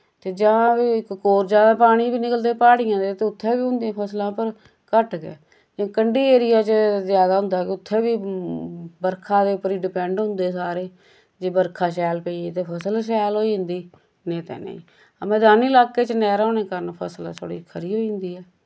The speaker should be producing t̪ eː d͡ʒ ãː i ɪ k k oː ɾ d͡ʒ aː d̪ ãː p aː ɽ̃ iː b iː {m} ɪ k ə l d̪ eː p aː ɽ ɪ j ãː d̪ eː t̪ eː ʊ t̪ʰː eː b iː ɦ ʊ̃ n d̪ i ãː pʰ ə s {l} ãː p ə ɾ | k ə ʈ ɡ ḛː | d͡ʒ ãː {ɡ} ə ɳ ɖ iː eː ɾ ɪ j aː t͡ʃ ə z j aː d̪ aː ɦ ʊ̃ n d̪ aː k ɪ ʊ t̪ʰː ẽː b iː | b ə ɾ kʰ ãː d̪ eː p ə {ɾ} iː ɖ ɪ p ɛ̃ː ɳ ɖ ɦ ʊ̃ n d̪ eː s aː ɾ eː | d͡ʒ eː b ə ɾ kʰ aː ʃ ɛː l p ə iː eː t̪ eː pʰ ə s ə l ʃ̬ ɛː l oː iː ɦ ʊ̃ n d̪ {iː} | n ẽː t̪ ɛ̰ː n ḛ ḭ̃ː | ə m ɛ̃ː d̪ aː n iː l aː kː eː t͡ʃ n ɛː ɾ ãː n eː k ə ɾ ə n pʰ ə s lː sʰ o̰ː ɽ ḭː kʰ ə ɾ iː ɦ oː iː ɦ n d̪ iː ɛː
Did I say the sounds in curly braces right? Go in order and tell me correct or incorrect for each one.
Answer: incorrect: n, correct, incorrect: k, correct, correct

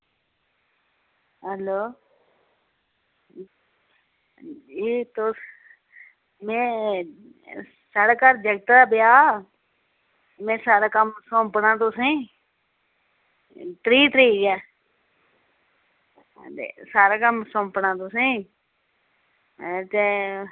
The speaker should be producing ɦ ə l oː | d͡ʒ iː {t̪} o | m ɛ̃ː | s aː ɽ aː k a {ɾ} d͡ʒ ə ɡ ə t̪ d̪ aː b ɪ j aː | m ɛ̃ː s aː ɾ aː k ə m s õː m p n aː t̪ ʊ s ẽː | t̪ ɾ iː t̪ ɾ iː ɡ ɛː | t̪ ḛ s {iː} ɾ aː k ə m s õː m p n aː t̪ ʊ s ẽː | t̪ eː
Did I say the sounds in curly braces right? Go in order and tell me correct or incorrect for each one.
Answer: correct, correct, incorrect: aː

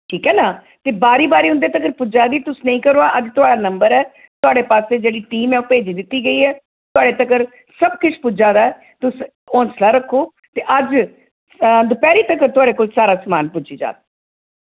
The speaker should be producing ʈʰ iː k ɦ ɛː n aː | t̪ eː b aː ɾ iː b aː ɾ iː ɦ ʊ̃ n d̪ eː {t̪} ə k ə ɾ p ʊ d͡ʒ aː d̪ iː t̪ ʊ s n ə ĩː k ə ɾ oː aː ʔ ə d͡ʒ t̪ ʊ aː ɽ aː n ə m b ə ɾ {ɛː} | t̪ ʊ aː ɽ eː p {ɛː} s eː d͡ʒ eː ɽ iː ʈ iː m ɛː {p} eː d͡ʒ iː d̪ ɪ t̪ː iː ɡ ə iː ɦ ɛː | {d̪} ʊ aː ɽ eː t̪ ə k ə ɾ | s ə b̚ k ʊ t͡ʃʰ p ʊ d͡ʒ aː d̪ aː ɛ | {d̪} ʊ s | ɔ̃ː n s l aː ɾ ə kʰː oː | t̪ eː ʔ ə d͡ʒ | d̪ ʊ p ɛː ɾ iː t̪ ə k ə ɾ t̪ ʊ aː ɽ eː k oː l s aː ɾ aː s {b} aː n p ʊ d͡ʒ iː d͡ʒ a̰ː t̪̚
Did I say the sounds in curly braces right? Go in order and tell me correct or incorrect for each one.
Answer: correct, correct, incorrect: aː, correct, incorrect: t̪, incorrect: t̪, incorrect: m

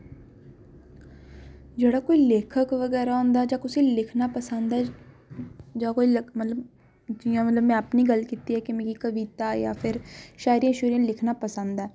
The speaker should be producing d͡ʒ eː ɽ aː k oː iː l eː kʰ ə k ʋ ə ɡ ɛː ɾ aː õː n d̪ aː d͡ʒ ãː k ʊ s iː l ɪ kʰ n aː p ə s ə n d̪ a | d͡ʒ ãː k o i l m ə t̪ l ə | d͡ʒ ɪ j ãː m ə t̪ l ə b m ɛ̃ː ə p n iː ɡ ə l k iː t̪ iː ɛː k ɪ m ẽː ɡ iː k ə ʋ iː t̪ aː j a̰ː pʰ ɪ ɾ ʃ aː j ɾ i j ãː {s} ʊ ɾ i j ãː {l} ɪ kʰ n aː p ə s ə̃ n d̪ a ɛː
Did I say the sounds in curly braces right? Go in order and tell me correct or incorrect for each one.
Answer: incorrect: ʃ, correct

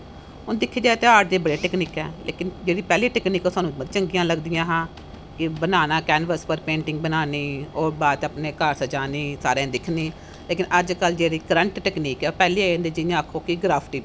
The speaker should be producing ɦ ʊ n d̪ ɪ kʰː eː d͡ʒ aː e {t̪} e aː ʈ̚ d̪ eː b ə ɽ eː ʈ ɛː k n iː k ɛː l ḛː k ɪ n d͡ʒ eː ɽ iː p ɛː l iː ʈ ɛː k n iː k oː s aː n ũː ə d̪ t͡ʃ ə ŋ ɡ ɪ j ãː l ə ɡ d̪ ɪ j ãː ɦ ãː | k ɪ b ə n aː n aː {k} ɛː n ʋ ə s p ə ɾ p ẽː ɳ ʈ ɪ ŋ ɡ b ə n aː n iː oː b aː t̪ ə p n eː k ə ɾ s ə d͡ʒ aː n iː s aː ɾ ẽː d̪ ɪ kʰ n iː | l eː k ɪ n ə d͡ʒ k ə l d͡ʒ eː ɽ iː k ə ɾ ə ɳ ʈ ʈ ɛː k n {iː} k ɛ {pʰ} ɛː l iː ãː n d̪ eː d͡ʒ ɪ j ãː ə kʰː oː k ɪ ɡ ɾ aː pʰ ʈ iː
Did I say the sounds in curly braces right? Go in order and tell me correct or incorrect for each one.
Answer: correct, correct, correct, incorrect: p

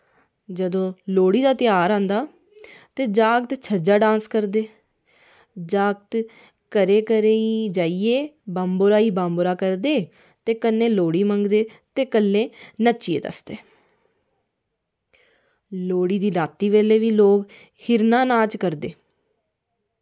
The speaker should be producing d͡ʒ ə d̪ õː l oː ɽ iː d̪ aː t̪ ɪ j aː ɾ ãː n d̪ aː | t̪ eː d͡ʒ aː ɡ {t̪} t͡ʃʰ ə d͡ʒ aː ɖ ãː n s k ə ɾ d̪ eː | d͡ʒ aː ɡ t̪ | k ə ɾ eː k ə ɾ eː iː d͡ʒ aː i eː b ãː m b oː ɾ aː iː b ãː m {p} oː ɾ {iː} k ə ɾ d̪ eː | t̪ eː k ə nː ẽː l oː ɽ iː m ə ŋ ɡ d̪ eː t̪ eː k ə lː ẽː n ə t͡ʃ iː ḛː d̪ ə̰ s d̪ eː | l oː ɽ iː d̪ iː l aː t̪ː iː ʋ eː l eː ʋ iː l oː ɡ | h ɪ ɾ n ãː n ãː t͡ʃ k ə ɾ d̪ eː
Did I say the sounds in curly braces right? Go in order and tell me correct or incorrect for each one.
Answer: correct, incorrect: b, incorrect: aː

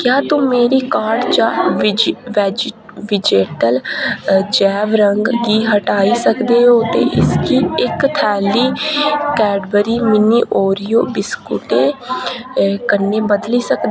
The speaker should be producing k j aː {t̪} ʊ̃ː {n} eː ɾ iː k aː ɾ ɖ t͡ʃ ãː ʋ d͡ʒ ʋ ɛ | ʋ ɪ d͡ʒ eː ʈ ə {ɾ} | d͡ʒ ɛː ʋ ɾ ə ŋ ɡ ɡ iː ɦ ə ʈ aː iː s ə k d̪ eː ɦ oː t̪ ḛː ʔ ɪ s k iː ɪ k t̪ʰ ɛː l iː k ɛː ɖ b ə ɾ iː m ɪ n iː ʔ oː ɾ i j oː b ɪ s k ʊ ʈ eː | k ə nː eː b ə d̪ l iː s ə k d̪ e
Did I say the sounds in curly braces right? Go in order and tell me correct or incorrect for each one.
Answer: correct, incorrect: m, incorrect: l

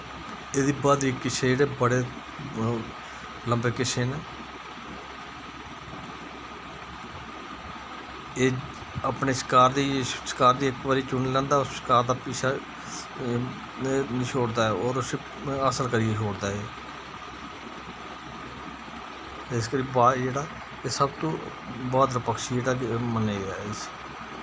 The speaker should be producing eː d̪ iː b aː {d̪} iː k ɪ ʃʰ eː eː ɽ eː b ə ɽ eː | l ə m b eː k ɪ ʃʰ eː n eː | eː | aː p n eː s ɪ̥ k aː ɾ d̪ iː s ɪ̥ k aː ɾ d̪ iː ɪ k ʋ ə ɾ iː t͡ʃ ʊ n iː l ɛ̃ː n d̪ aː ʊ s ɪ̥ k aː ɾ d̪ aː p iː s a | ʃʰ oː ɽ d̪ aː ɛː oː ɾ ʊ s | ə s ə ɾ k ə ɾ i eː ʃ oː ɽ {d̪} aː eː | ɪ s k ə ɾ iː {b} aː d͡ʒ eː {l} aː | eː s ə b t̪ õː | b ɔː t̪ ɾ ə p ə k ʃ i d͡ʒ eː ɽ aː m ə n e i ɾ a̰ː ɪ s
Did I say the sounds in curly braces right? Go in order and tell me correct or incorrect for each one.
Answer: correct, correct, correct, incorrect: ɽ

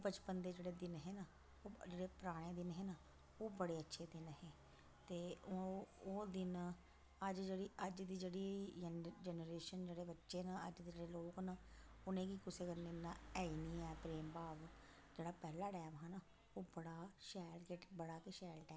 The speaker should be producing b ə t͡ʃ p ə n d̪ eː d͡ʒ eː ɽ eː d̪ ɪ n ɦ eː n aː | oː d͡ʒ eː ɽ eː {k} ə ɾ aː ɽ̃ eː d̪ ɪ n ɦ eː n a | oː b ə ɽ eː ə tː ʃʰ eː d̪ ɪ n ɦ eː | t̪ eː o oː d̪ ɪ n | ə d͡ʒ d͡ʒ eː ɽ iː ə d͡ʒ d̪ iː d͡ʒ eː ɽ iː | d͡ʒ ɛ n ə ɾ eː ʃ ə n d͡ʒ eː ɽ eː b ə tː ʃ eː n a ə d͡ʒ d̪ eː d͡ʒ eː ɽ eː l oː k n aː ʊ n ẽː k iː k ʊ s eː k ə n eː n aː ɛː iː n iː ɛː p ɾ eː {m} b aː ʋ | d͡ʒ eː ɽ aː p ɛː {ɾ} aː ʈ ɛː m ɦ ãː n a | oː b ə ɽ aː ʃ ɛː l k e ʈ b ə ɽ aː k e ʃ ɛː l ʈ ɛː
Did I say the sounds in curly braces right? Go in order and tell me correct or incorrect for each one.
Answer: incorrect: p, correct, incorrect: l

